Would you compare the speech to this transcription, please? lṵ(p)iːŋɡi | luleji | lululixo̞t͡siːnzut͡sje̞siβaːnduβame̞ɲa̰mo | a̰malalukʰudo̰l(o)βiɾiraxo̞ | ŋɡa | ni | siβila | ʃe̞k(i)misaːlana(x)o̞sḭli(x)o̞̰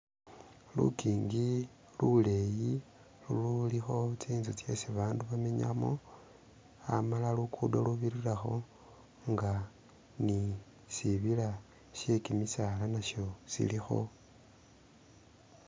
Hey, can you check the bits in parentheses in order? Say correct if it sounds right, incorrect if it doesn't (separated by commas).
incorrect, incorrect, correct, incorrect, correct